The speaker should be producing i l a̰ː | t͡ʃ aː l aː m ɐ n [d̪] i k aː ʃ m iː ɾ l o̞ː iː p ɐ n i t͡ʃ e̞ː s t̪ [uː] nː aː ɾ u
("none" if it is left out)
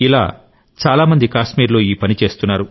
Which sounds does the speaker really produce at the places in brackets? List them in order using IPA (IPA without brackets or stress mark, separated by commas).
d̪, u